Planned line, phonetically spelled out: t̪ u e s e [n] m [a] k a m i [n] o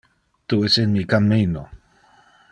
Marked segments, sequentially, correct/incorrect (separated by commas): correct, incorrect, correct